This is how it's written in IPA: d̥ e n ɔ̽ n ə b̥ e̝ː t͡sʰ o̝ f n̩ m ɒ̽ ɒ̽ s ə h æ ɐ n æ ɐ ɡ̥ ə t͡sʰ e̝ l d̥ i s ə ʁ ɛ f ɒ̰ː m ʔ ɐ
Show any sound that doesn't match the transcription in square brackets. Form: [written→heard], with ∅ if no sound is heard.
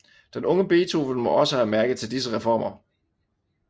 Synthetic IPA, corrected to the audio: d̥ e n ɔ̽ [n→ŋ] ə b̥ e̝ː t͡sʰ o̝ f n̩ m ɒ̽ ɒ̽ s ə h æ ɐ [n→m] æ ɐ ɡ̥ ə t͡sʰ e̝ l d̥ i s ə ʁ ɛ f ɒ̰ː m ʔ ɐ

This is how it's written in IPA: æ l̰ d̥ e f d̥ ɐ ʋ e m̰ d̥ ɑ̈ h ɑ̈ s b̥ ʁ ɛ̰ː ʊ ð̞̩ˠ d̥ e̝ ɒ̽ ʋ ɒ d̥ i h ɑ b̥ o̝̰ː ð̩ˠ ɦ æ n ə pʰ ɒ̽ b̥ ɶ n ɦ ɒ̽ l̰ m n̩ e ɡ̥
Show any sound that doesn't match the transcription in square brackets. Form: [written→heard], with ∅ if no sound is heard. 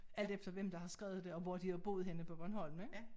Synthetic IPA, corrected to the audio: æ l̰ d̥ e f d̥ ɐ ʋ e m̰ d̥ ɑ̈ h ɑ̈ s [b̥→ɡ̥] ʁ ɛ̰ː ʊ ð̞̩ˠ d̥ e̝ ɒ̽ ʋ ɒ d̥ i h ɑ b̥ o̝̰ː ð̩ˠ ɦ [æ→e] n ə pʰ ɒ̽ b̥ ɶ n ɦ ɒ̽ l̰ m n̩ e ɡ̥

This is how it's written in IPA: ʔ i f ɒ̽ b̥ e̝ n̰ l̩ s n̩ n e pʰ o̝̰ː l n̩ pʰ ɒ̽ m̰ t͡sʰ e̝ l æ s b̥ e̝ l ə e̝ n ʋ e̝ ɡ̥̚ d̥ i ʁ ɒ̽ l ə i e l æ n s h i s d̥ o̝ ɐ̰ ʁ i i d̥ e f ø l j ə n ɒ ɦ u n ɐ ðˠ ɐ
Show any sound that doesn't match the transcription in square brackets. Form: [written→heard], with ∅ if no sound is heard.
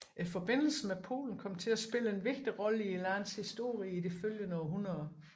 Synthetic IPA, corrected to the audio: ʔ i f ɒ̽ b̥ e̝ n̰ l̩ s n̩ [n→m] e pʰ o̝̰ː l n̩ [pʰ→kʰ] ɒ̽ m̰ t͡sʰ e̝ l æ s b̥ e̝ l ə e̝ n ʋ e̝ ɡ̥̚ d̥ i ʁ ɒ̽ l ə i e l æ n s h i s d̥ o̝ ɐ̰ ʁ i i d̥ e f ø l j ə n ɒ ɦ u n ɐ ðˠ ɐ

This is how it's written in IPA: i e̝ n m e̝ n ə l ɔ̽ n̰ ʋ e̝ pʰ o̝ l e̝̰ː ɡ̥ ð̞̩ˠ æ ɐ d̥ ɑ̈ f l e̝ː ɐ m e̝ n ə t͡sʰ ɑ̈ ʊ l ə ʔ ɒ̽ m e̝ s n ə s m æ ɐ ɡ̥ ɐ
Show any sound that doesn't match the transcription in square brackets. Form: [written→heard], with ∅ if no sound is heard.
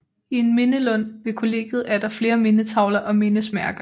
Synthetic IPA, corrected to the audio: i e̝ n m e̝ n ə l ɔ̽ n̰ ʋ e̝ [pʰ→kʰ] o̝ l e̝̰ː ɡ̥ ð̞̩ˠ æ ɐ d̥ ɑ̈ f l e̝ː ɐ m e̝ n ə t͡sʰ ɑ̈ ʊ l [ə→ɐ] ʔ ɒ̽ m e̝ [s→∅] n ə s m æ ɐ ɡ̥ ɐ

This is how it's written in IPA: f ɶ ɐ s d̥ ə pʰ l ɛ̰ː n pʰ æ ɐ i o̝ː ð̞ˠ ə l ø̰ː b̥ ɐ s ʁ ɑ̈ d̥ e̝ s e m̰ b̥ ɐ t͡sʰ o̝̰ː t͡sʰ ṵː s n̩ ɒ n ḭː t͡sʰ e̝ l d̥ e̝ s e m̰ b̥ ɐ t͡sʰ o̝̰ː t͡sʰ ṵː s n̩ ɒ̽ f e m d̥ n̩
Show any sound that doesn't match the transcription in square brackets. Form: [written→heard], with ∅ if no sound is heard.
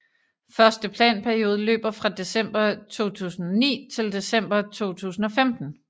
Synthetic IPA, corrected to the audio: f ɶ ɐ s d̥ ə pʰ l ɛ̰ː n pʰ æ ɐ i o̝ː ð̞ˠ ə l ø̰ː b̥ ɐ [s→f] ʁ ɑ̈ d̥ e̝ s e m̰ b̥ ɐ t͡sʰ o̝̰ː t͡sʰ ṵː s n̩ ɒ n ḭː t͡sʰ e̝ l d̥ e̝ s e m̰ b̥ ɐ t͡sʰ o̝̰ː t͡sʰ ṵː s n̩ ɒ̽ f e m d̥ n̩

